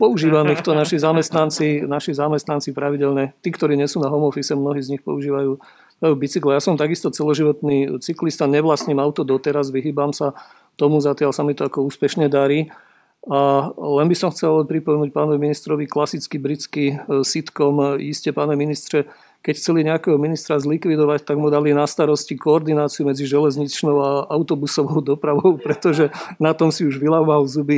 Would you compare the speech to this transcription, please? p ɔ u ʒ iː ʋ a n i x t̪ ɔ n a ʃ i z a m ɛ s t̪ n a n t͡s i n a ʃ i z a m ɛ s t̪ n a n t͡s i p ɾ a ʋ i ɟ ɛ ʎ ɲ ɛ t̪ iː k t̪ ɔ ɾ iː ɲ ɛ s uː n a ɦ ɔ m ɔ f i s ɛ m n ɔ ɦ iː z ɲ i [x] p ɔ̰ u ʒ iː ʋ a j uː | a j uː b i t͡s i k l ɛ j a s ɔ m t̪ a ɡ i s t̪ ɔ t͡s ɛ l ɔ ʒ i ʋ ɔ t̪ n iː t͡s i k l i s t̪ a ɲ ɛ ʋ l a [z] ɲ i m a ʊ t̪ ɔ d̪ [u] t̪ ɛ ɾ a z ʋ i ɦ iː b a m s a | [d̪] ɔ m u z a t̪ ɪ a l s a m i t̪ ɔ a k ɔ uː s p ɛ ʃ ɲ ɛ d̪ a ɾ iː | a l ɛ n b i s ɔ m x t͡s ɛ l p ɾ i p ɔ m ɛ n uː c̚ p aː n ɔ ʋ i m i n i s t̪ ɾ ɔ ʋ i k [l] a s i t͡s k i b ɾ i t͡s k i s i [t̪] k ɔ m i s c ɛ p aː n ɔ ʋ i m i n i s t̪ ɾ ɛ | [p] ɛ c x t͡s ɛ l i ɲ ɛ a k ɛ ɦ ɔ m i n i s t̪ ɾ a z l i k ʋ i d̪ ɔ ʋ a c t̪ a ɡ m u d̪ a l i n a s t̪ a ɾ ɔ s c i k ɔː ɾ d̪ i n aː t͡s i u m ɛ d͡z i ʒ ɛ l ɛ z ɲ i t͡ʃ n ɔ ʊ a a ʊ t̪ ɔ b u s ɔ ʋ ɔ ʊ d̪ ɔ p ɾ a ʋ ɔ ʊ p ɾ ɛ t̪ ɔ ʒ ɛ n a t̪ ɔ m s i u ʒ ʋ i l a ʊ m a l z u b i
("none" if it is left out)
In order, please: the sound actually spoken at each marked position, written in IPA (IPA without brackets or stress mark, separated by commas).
x, s, ɔ, t̪, l, t̪, k